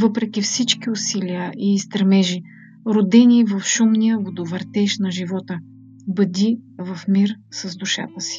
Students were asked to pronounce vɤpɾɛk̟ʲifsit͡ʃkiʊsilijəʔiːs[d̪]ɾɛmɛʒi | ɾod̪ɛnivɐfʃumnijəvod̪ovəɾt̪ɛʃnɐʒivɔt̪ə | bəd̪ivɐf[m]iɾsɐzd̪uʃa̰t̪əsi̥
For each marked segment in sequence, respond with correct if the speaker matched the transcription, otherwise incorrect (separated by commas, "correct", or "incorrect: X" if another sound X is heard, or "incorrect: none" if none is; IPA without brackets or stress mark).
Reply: incorrect: t̪, correct